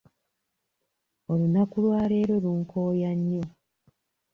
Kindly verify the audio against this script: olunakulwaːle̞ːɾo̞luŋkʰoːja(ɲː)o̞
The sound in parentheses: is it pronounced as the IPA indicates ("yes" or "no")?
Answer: yes